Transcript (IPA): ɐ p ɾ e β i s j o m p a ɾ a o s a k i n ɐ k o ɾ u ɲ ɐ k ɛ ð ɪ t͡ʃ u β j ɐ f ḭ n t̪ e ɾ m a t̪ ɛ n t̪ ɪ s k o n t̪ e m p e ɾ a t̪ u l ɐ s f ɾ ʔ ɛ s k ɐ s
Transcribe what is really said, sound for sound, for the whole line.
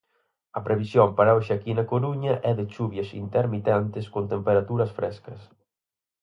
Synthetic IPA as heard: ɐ p ɾ e β i s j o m p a ɾ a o ʃ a k i n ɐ k o ɾ u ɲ ɐ ʔ ɛ ð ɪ t͡ʃ u β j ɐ s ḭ n t̪ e ɾ m i t̪ ɛ n t̪ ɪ s k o n t̪ e m p e ɾ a t̪ u ɾ ɐ s f ɾ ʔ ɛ s k ɐ s